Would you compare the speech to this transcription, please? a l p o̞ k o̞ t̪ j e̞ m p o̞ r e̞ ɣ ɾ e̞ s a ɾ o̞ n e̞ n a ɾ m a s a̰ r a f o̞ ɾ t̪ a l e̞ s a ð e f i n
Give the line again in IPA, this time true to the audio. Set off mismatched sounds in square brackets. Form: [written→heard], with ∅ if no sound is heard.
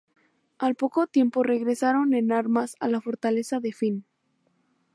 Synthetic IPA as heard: a l p o̞ k o̞ t̪ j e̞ m p o̞ r e̞ ɣ ɾ e̞ s a ɾ o̞ n e̞ n a ɾ m a s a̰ [r→l] a f o̞ ɾ t̪ a l e̞ s a ð e f i n